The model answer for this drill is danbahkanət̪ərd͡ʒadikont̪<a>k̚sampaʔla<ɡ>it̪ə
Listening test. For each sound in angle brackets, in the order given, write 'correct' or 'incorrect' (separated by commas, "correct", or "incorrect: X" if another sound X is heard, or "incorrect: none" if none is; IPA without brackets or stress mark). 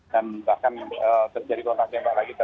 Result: correct, correct